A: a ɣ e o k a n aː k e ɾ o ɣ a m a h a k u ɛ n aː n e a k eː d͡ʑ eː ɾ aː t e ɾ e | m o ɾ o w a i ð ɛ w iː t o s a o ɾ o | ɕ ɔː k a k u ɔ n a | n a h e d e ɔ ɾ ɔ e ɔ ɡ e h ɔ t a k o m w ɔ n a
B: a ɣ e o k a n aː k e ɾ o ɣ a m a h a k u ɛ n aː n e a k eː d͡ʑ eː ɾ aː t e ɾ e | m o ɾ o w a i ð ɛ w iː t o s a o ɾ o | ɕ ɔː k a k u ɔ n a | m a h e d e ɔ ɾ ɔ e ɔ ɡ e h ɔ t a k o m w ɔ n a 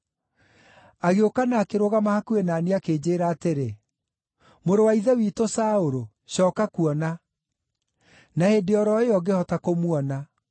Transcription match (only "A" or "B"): A